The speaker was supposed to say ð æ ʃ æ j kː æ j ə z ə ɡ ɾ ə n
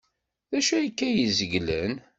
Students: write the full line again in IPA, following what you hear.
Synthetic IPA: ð æ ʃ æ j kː æ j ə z ə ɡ l ə n

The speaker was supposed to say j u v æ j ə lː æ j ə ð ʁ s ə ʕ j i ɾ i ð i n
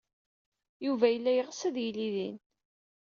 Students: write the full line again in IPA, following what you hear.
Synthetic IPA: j u v æ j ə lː æ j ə ʁ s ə ð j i l i ð i n

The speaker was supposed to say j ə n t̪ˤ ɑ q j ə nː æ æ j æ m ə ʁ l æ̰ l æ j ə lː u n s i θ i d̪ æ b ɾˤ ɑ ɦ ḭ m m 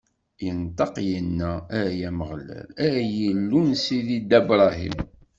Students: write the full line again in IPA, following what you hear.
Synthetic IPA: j ə n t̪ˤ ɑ q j ə nː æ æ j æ m ə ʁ l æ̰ l æ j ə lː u n s i ð i d̪ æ b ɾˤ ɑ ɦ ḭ m m

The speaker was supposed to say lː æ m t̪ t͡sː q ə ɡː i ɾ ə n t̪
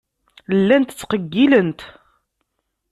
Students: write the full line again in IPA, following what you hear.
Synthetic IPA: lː æ n t̪ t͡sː q ə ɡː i l ə n t̪

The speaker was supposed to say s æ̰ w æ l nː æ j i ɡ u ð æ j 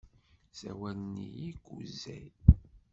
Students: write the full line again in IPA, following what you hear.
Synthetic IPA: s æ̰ w æ l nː i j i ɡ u z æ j

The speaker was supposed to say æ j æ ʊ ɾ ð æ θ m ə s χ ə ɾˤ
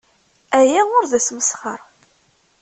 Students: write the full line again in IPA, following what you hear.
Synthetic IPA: æ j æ ʊ ɾ ð æ s m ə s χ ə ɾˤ

